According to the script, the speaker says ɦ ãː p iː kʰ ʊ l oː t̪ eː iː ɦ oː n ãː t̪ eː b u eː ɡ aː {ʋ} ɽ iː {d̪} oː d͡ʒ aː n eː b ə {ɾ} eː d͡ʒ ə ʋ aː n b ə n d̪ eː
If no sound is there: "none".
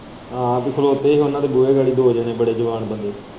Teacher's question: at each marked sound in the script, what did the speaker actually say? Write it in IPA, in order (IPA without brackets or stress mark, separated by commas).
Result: none, d̪, ɽ